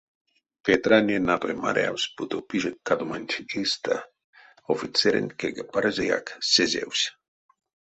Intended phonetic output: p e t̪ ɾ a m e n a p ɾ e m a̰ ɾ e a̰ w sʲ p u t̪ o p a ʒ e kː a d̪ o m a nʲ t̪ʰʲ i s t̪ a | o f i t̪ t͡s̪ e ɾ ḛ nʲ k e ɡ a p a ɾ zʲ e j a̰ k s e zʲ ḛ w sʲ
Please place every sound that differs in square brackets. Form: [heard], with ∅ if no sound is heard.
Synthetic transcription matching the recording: p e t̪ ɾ a [n] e n a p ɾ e m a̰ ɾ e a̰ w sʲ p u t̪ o p [i] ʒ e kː a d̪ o m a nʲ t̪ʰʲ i s t̪ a | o f i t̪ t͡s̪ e ɾ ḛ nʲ k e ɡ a p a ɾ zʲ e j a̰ k s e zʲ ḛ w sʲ